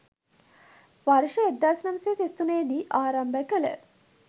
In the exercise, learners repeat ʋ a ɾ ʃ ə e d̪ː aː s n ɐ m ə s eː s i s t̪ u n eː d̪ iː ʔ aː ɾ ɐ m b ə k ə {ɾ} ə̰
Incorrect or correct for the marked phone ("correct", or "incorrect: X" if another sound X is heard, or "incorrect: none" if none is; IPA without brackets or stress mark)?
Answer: incorrect: l